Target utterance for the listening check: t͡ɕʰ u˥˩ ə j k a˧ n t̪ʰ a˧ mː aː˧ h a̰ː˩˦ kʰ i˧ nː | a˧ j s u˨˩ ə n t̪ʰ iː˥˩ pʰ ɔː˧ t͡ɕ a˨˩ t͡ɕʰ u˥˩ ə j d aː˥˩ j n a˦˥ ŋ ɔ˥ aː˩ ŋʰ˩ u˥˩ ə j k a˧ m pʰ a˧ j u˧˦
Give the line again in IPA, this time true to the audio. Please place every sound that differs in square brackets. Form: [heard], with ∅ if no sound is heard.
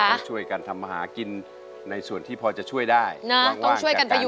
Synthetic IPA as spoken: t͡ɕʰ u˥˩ ə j k a˧ n t̪ʰ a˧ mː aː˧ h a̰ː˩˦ [k] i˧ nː | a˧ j s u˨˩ ə n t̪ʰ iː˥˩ pʰ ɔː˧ t͡ɕ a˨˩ t͡ɕʰ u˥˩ ə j d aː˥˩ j n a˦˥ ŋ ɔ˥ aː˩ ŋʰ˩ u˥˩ ə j k a˧ [n] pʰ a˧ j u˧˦